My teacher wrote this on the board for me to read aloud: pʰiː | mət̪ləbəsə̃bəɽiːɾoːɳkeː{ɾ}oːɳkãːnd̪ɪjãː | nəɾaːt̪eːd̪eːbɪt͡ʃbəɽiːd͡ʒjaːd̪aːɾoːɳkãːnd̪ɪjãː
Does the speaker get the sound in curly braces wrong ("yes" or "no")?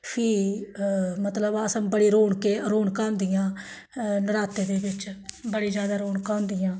no